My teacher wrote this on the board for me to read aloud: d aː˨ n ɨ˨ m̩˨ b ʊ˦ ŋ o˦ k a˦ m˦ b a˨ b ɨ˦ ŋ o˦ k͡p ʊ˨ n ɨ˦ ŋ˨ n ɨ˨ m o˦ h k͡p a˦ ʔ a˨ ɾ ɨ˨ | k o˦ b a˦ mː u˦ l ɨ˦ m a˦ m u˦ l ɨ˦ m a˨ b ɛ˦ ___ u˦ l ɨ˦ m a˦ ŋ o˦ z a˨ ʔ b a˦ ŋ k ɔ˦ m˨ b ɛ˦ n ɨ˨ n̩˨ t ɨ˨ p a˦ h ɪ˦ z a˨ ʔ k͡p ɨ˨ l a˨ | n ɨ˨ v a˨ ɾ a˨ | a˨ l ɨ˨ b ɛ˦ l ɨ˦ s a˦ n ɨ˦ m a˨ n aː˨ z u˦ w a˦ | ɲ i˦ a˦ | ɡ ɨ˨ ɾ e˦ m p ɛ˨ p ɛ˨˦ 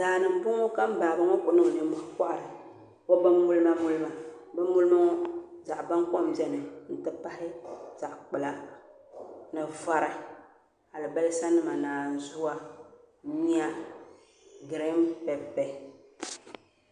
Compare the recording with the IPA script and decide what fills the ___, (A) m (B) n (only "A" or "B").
A